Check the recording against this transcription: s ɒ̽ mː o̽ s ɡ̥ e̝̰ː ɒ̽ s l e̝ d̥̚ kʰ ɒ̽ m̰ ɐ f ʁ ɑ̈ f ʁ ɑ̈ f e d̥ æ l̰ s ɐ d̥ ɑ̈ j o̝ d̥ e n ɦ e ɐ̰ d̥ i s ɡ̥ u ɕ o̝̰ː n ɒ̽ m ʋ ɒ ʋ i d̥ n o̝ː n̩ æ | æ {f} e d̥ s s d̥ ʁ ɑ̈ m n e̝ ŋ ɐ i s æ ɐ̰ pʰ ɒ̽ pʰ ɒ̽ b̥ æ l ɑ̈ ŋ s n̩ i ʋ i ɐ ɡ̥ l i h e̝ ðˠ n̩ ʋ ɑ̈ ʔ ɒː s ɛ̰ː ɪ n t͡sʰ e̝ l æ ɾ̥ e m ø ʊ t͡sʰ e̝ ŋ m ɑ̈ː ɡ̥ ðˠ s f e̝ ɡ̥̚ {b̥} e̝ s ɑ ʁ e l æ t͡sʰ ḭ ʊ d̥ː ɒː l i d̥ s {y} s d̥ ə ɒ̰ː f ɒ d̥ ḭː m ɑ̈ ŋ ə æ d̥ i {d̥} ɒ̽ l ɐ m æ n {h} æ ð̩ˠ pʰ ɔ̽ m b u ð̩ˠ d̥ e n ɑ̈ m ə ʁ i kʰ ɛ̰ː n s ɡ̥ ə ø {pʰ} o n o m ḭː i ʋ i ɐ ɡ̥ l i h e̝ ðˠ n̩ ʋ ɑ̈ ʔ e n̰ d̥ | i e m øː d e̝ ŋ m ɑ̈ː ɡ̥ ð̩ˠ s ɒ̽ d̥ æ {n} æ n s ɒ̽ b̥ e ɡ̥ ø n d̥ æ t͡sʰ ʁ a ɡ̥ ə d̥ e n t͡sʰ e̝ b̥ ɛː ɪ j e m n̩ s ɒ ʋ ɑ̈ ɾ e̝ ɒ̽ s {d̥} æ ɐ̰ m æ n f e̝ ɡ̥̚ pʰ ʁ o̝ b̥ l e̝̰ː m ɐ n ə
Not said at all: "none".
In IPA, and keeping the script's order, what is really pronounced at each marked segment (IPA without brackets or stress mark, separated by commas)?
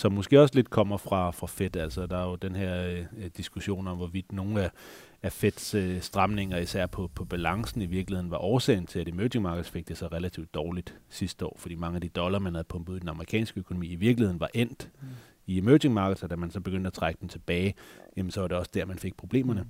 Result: f, d̥, i, d̥, h, kʰ, m, d̥